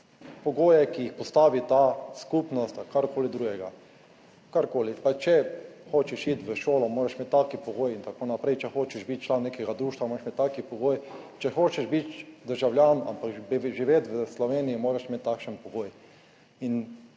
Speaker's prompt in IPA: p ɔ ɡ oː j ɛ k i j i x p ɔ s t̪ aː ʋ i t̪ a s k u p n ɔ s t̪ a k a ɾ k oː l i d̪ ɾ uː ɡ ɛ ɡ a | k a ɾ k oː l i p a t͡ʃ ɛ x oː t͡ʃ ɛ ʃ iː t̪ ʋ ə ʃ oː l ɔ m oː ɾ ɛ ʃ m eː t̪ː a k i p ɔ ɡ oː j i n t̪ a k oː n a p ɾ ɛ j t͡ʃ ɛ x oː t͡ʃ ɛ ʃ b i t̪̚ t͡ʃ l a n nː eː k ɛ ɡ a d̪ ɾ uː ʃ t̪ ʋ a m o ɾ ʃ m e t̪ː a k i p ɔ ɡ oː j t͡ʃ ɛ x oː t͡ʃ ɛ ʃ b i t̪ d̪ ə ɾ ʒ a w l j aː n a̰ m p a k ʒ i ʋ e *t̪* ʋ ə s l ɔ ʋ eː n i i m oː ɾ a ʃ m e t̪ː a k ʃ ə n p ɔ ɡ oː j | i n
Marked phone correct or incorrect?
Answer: correct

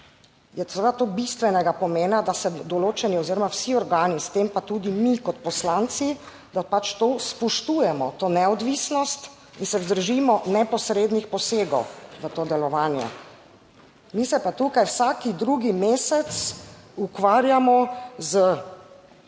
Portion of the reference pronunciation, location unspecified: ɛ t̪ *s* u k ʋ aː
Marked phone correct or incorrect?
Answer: correct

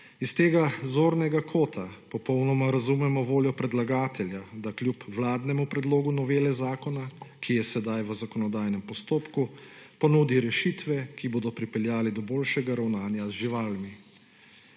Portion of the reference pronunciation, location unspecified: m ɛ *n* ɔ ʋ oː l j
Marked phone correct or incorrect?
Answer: incorrect: m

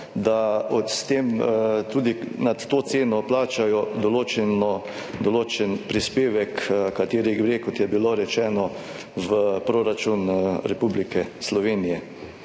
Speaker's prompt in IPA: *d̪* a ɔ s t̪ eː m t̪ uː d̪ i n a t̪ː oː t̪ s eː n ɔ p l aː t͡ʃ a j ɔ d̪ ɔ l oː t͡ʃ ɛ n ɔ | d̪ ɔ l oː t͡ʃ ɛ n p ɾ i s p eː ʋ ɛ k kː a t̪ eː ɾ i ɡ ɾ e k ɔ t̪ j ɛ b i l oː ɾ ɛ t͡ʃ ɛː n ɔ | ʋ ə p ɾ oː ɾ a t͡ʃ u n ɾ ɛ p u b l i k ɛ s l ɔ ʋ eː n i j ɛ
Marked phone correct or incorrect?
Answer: correct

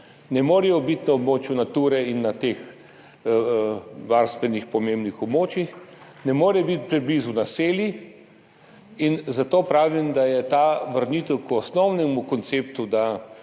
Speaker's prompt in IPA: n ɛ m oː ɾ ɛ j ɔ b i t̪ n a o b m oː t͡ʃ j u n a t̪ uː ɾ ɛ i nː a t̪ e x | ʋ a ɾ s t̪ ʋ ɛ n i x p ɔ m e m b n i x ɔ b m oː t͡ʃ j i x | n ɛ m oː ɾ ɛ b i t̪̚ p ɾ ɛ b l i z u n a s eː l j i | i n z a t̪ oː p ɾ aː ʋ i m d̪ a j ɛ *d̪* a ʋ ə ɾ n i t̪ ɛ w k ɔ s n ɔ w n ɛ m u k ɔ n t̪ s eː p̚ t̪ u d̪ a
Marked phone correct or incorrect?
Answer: incorrect: t̪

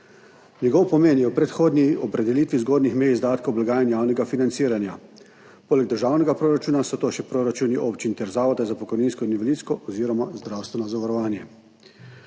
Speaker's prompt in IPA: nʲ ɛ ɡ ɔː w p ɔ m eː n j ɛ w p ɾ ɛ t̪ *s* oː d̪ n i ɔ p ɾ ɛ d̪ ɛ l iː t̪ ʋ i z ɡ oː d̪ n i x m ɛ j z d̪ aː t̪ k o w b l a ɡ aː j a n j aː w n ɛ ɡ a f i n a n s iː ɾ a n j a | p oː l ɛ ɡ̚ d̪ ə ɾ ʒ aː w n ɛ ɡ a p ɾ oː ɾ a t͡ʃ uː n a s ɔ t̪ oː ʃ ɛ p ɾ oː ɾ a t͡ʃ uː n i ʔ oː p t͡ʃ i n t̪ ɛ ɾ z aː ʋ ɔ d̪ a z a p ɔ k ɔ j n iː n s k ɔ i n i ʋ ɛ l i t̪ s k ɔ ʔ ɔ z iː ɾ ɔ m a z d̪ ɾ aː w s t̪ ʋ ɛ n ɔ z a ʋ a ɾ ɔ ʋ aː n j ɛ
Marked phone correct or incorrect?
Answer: incorrect: x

